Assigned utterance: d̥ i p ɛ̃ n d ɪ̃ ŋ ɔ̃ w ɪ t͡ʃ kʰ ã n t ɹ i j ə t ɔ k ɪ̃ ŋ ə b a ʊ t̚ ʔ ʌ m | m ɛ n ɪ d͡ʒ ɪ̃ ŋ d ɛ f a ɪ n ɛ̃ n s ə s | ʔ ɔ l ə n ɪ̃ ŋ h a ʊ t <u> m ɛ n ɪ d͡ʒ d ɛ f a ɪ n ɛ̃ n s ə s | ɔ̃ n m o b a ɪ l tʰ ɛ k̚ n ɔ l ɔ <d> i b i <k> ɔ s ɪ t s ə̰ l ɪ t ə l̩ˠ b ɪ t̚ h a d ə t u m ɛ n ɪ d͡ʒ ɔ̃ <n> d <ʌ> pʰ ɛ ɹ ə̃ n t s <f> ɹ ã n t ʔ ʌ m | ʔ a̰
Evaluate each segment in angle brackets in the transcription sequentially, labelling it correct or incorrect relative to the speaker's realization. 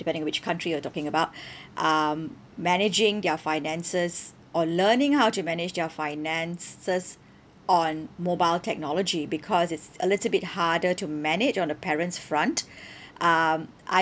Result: correct, incorrect: d͡ʒ, incorrect: kʰ, correct, incorrect: ə, correct

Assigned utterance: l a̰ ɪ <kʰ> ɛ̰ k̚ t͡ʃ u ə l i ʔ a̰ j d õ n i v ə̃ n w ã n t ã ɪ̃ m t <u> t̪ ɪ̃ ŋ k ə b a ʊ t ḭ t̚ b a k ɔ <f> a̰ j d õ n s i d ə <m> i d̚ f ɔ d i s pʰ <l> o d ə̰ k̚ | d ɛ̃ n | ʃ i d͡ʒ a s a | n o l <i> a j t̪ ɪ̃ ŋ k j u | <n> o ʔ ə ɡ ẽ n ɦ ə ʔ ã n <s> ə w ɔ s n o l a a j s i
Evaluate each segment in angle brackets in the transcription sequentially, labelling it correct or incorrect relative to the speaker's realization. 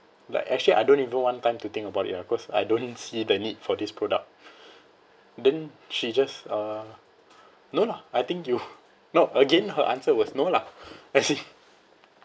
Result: incorrect: k, correct, incorrect: s, incorrect: n, incorrect: ɹ, incorrect: a, correct, correct

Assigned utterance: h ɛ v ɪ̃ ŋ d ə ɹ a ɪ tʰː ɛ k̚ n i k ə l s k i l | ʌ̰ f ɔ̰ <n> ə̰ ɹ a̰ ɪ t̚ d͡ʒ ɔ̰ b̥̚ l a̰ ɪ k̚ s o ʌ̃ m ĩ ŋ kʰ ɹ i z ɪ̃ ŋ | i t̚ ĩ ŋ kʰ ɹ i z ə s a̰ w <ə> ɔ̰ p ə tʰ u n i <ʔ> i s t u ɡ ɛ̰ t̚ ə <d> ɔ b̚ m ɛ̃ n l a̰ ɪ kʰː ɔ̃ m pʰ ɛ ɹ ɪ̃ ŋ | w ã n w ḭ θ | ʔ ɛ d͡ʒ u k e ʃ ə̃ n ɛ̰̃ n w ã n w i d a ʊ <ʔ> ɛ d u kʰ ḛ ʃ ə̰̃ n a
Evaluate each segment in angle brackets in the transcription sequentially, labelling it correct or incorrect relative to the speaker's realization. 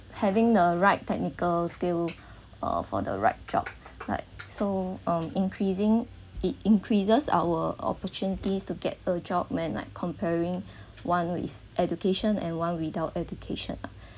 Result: incorrect: d, correct, incorrect: t, incorrect: d͡ʒ, incorrect: t

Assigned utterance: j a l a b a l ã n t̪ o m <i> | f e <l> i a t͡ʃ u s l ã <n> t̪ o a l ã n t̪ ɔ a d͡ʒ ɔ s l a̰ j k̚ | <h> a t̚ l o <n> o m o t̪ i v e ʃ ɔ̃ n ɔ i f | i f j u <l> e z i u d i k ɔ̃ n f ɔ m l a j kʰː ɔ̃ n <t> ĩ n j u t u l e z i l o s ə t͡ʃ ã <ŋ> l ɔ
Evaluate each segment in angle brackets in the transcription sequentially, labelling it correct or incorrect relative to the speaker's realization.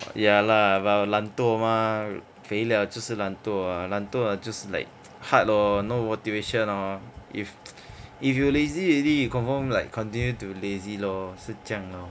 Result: incorrect: a, correct, correct, correct, correct, correct, correct, correct

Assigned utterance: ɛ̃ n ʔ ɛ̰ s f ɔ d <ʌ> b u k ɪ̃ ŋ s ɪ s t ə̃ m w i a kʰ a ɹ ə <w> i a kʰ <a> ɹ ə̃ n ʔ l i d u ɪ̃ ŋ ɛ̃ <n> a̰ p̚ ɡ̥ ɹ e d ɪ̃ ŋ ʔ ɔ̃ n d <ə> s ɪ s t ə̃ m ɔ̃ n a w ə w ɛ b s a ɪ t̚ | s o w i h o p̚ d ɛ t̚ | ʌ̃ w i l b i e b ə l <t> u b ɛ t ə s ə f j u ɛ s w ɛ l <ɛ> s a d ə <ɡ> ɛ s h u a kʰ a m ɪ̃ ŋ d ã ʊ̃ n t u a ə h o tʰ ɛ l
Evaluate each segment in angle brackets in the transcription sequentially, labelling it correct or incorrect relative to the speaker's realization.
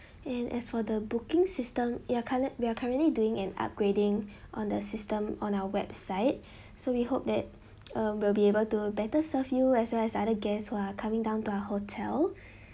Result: incorrect: ə, correct, correct, correct, correct, correct, correct, correct

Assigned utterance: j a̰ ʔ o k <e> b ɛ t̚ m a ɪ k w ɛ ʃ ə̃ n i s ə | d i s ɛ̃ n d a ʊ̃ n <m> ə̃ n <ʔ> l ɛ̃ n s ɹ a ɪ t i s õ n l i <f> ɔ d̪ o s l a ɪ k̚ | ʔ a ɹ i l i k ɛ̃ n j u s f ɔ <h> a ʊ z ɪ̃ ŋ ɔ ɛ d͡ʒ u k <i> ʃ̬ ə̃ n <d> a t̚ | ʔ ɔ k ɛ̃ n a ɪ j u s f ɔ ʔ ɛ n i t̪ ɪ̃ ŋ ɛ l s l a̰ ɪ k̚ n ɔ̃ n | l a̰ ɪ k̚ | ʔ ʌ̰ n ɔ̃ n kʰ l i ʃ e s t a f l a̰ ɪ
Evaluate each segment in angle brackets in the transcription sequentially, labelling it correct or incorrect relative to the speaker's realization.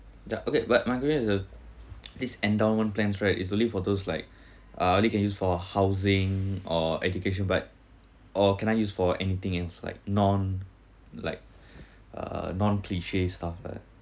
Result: correct, correct, incorrect: p, correct, correct, incorrect: e, incorrect: b

